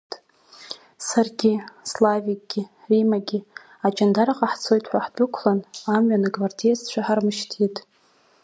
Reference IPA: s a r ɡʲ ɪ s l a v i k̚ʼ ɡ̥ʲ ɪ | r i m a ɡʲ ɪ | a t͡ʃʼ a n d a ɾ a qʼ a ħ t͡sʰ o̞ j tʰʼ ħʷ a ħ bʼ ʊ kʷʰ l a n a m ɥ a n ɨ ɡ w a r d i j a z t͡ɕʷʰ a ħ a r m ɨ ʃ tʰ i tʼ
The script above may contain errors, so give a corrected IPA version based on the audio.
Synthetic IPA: s a r ɡʲ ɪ s l a v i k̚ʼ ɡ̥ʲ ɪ | r i m a ɡʲ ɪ | a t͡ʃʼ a n d a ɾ a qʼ a ħ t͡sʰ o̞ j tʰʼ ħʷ a ħ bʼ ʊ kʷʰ l a n a m ɥ a n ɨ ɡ v a r d i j a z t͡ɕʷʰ a ħ a r m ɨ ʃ tʰ i tʼ